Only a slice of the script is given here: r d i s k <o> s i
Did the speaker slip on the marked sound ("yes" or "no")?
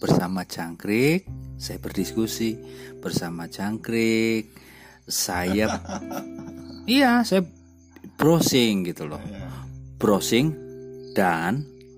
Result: yes